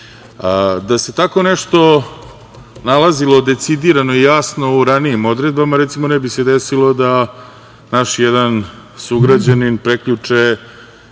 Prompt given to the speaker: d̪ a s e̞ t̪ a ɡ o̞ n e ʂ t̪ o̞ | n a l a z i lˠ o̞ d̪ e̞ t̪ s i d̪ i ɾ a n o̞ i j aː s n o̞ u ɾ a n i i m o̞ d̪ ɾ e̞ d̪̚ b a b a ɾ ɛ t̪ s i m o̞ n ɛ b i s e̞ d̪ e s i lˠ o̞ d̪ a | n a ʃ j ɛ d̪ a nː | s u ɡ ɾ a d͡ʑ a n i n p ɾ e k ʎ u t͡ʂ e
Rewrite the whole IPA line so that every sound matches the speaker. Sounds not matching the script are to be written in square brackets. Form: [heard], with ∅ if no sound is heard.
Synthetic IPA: d̪ a s e̞ t̪ a [k] o̞ n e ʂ t̪ o̞ | n a l a z i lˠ o̞ d̪ e̞ t̪ s i d̪ i ɾ a n o̞ i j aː s n o̞ u ɾ a n i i m o̞ d̪ ɾ e̞ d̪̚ b a [m] a ɾ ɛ t̪ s i m o̞ n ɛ b i s e̞ d̪ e s i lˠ o̞ d̪ a | n a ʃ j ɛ d̪ a [n] | s u ɡ ɾ a d͡ʑ a n i n p ɾ e k ʎ u t͡ʂ e